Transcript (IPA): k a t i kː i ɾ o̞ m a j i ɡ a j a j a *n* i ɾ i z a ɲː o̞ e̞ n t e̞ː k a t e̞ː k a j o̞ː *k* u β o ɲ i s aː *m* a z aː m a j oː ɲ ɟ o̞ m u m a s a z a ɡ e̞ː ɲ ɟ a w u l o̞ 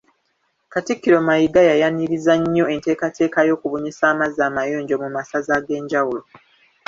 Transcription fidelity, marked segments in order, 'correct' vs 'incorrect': correct, correct, correct

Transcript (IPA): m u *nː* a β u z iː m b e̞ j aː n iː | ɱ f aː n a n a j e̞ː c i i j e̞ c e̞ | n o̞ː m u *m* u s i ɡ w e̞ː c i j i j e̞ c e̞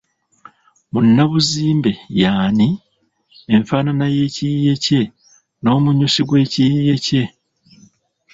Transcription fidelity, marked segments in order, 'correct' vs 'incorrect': correct, incorrect: ɲ

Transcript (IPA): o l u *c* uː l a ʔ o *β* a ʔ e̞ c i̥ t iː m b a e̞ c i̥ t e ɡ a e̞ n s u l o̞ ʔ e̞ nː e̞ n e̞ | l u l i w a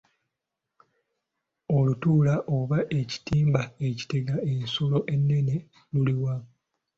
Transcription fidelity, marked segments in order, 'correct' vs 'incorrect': incorrect: t, correct

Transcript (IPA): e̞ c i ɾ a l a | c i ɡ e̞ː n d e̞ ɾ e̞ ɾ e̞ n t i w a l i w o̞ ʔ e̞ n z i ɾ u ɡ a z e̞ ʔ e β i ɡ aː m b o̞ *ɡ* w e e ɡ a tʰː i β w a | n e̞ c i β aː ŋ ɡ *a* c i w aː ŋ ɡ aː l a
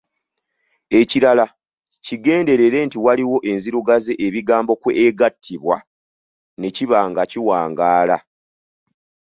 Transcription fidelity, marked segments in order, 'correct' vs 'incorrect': incorrect: k, correct

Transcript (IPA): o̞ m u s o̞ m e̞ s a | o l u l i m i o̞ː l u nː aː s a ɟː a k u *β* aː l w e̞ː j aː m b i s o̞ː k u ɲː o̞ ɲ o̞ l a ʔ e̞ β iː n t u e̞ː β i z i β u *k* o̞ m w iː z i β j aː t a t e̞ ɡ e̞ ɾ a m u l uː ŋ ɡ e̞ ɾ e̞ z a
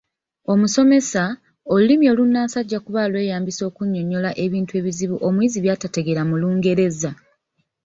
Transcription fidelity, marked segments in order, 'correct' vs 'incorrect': correct, incorrect: ʔ

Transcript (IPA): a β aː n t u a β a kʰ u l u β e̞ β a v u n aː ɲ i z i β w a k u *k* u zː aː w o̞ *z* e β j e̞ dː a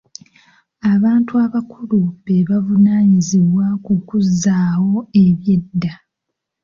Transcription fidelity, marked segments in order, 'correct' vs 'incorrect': correct, incorrect: none

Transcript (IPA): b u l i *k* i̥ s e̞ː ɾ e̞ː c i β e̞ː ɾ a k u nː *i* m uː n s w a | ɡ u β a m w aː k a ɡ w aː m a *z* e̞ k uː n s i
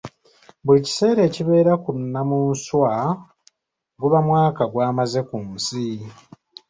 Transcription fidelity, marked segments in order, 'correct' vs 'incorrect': incorrect: c, incorrect: a, correct

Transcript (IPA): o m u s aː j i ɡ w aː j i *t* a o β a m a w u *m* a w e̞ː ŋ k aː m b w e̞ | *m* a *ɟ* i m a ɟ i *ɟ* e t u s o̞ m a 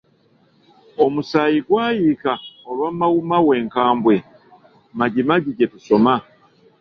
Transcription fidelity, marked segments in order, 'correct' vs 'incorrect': incorrect: k, correct, correct, correct, correct

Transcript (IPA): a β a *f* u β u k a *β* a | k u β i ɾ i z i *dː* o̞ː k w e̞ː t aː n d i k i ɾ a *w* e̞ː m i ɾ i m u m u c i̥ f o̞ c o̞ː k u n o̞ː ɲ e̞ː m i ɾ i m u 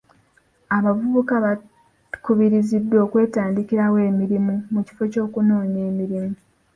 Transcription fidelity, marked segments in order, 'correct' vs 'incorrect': incorrect: v, correct, correct, correct

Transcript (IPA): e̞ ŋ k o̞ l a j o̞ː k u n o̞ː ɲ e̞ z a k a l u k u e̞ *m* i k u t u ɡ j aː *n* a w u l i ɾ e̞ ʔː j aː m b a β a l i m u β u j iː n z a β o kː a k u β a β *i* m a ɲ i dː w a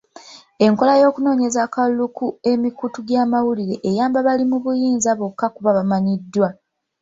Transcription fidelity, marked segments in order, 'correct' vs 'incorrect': correct, incorrect: m, incorrect: a

